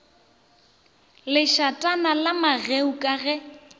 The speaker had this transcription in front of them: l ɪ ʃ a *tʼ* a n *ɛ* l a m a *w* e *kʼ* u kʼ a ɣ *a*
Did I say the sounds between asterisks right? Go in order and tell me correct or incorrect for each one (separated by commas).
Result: correct, incorrect, incorrect, incorrect, incorrect